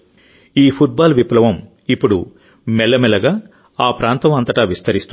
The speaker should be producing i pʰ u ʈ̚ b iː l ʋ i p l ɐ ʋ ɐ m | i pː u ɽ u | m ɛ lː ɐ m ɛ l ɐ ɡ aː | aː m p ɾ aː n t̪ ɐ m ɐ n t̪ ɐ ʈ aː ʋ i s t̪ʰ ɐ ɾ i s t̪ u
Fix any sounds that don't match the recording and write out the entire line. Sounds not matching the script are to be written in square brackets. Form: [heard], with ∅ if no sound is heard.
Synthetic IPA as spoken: [iː] pʰ u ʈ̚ b [aː] l ʋ i p l ɐ ʋ ɐ m | i pː u ɽ u | m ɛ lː ɐ m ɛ l ɐ ɡ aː | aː [∅] p ɾ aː n t̪ ɐ m ɐ n t̪ ɐ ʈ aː ʋ i s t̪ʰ ɐ ɾ i s t̪ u